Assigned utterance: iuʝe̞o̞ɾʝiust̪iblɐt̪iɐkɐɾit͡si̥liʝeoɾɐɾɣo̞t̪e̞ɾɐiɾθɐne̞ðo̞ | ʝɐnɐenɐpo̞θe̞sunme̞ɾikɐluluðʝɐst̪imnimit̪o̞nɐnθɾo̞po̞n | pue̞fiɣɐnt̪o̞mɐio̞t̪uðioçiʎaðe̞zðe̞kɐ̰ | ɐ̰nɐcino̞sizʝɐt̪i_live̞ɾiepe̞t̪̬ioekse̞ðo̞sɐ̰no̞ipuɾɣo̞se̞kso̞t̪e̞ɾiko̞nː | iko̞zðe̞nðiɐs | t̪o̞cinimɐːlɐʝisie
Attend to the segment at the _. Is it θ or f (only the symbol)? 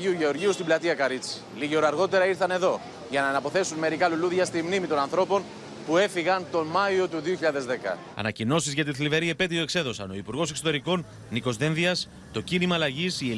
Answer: θ